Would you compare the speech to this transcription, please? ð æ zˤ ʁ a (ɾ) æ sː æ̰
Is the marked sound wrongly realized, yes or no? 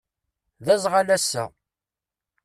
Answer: yes